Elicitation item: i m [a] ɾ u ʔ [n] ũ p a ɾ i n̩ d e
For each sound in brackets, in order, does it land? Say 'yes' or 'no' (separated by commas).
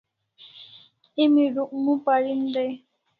no, no